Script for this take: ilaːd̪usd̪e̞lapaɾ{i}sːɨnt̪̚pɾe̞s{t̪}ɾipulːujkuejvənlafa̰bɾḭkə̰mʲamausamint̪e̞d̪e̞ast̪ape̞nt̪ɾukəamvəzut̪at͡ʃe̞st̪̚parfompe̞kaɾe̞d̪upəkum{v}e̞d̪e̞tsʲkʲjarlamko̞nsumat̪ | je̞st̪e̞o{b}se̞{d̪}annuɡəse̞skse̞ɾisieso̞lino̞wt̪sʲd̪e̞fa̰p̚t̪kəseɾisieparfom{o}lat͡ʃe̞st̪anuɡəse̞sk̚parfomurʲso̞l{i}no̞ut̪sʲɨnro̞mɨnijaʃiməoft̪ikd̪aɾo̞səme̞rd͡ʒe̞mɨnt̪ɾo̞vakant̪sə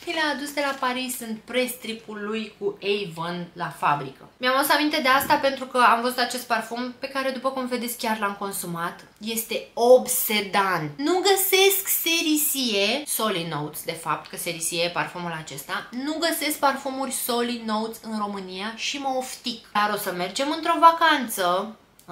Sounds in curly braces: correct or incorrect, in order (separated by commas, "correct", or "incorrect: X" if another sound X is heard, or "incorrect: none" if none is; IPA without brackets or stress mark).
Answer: correct, correct, correct, correct, correct, incorrect: u, correct